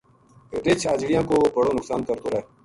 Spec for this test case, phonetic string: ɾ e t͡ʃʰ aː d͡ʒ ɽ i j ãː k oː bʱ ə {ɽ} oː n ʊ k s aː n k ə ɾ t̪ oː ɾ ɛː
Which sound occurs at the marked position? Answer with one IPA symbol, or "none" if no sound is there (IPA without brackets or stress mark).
ɽ